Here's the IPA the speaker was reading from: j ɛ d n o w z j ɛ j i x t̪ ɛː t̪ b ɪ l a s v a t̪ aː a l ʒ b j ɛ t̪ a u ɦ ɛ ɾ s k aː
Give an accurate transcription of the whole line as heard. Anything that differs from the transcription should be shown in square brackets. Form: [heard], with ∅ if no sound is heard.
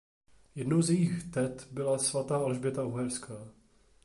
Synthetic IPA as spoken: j ɛ d n o w z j ɛ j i x t̪ [ɛ] t̪ b ɪ l a s v a t̪ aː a l ʒ b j ɛ t̪ a u ɦ ɛ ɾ s k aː